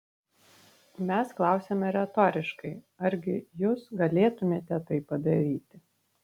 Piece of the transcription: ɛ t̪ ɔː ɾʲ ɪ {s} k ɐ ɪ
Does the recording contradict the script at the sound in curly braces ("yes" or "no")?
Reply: yes